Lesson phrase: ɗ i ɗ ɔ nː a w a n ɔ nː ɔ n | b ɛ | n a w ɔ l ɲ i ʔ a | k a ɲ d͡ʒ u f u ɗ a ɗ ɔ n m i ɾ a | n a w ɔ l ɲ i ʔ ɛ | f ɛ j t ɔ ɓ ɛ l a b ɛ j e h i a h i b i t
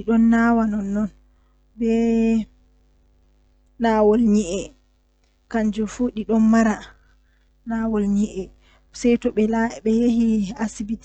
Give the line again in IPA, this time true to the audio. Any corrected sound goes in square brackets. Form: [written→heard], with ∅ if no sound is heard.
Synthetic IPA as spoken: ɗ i ɗ ɔ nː a w a n ɔ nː ɔ n | b ɛ | n a w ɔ l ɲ i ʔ [a→ɛ] | k a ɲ d͡ʒ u f u ɗ [a→i] ɗ ɔ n m [i→a] ɾ a | n a w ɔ l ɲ i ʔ ɛ | [f→s] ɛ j t ɔ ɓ ɛ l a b ɛ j e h i a [h→s] i b i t